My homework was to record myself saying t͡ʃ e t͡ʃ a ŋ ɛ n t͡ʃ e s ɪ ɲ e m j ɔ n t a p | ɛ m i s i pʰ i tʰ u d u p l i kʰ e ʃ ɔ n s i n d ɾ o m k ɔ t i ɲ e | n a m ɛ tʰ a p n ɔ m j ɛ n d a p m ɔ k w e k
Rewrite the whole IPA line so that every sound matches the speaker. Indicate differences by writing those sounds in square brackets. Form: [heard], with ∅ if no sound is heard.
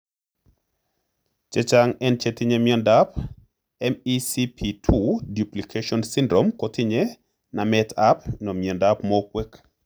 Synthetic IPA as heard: t͡ʃ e t͡ʃ a ŋ ɛ n t͡ʃ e [t] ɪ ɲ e m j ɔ n [d] a p | ɛ m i s i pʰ i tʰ u d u p l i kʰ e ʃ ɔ n s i n d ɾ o m k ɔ t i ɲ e | n a m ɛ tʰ a p n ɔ m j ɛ n d a p m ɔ k w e k